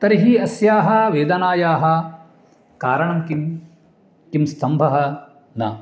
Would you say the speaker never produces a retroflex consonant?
no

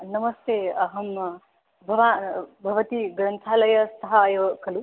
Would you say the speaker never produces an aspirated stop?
no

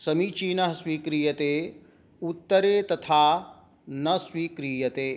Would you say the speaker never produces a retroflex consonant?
yes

